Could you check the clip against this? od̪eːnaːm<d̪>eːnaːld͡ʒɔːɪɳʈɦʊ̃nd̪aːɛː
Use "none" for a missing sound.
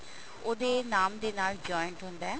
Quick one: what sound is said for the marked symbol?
d̪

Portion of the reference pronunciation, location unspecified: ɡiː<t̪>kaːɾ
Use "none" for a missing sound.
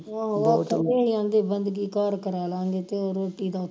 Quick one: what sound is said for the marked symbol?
none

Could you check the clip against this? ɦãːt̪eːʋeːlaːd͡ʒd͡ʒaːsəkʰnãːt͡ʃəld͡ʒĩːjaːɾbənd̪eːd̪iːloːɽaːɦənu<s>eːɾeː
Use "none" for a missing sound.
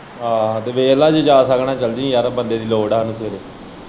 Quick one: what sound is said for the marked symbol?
s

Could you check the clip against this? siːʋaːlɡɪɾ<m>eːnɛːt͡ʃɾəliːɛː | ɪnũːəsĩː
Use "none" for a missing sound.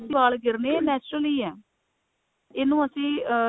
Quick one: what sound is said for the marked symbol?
n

